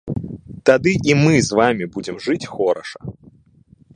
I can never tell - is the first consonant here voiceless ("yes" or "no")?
yes